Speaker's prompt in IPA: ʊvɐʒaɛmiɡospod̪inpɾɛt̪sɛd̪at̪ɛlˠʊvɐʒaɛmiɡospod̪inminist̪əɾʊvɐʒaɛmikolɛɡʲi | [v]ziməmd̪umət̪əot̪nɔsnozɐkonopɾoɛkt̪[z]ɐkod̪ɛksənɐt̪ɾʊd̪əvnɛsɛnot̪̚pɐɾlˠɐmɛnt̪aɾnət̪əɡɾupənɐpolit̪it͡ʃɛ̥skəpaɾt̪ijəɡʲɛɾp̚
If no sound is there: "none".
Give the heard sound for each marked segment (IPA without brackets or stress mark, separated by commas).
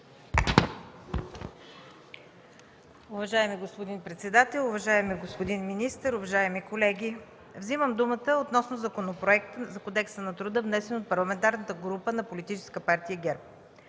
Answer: v, z